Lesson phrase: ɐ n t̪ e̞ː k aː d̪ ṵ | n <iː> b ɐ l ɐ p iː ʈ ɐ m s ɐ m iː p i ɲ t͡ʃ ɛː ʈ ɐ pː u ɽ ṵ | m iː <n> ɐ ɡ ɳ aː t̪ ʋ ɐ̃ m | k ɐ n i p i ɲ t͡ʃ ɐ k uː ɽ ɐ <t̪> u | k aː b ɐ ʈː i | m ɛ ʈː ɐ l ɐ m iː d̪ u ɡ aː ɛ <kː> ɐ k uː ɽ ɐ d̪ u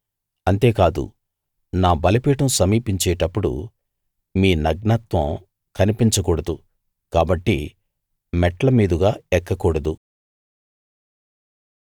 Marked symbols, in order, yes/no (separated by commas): no, yes, no, yes